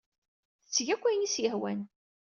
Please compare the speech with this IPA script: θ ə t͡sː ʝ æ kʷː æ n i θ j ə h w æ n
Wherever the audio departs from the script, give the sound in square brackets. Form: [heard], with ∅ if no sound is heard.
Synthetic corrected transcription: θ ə t͡sː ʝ æ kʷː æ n i [s] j ə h w æ n